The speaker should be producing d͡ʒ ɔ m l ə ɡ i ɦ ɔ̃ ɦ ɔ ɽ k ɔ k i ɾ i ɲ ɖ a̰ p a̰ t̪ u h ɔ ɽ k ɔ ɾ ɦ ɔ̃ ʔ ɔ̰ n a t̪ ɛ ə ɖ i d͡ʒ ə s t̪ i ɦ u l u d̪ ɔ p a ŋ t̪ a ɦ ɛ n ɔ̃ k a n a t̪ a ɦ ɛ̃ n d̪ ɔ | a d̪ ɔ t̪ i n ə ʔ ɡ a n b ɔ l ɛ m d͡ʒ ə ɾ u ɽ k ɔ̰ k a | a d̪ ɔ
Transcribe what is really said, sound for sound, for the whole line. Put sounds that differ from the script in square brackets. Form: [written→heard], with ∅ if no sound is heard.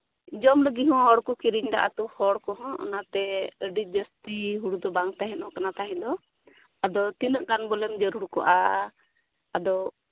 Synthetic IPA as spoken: d͡ʒ ɔ m l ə ɡ i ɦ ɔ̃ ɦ ɔ ɽ k ɔ k i ɾ i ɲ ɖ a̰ [p→ʔ] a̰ t̪ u h ɔ ɽ k ɔ [ɾ→∅] ɦ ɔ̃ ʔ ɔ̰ n a t̪ ɛ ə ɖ i d͡ʒ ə s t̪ i ɦ u [l→ɽ] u d̪ ɔ [p→b] a ŋ t̪ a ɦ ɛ n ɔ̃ k a n a t̪ a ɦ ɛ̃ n d̪ ɔ | a d̪ ɔ t̪ i n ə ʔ ɡ a n b ɔ l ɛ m d͡ʒ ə ɾ u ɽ k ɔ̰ [k→ʔ] a | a d̪ ɔ

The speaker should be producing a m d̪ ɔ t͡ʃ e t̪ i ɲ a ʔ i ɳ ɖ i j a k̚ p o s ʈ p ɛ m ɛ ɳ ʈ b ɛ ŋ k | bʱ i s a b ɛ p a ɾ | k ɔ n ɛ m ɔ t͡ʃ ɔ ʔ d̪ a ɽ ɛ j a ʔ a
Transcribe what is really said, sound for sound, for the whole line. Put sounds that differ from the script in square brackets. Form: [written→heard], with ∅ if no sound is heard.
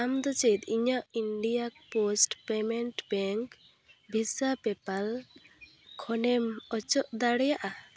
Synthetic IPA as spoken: a m d̪ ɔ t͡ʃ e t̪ i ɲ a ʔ i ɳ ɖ i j a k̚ p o s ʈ p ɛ m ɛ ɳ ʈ b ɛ ŋ k | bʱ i s a [b→p] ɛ p a [ɾ→l] | [k→kʰ] ɔ n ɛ m ɔ t͡ʃ ɔ ʔ d̪ a ɽ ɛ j a ʔ a

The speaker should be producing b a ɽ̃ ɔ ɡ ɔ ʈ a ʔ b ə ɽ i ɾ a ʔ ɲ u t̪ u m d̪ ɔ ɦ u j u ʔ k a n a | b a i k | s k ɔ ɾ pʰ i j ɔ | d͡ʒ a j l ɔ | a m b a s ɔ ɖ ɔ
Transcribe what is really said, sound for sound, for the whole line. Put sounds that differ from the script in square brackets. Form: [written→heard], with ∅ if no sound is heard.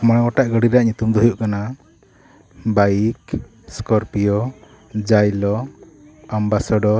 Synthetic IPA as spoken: [b→m] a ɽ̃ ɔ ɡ ɔ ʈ a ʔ [b→ɡ] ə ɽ i ɾ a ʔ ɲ u t̪ u m d̪ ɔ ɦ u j u ʔ k a n a | b a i k | s k ɔ ɾ [pʰ→p] i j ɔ | d͡ʒ a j l ɔ | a m b a s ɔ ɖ ɔ

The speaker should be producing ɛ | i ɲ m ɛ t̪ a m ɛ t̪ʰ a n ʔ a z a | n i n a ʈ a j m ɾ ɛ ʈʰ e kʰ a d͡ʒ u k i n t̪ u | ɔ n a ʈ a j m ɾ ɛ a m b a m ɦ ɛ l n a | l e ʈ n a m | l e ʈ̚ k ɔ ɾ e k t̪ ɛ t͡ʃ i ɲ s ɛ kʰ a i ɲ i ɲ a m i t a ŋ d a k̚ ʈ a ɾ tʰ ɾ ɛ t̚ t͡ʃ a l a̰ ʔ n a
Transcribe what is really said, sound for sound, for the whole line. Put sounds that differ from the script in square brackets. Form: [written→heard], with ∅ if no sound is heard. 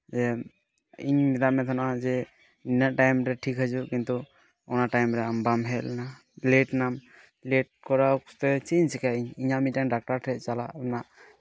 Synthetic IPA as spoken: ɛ | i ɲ m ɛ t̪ a m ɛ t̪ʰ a n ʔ a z [a→ɛ] | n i n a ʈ a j m ɾ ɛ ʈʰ [e→i] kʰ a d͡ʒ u k i n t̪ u | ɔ n a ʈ a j m ɾ ɛ a m b a m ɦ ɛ l n a | l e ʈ n a m | l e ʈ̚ k ɔ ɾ [e→a] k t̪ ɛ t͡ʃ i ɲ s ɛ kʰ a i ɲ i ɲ a m i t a ŋ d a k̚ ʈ a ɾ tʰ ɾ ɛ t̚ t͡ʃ a l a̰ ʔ n a

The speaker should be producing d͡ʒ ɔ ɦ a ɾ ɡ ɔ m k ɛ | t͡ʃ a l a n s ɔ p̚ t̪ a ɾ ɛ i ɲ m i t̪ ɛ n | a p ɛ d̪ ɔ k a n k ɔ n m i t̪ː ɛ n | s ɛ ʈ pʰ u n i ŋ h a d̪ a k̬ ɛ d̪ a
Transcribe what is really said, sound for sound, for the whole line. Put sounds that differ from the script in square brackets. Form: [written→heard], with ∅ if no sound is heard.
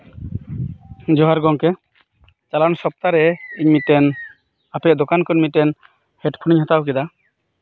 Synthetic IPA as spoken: d͡ʒ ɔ ɦ a ɾ ɡ ɔ [m→ŋ] k ɛ | t͡ʃ a l a n s ɔ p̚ t̪ a ɾ ɛ i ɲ m i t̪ ɛ n | a p ɛ d̪ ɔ k a n k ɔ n m i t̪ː ɛ n | [s→h] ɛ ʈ pʰ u n i [ŋ→ɲ] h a [d̪→t̪] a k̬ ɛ d̪ a

